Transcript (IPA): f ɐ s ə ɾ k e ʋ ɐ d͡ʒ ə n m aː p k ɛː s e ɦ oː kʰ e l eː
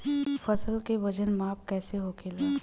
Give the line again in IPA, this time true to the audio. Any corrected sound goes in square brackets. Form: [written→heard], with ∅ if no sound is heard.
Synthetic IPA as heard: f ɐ s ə [ɾ→l] k e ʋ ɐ d͡ʒ ə n m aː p k ɛː s e ɦ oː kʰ e l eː